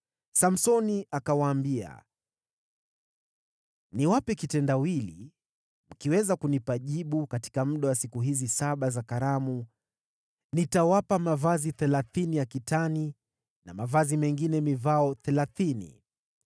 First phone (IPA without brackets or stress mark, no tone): s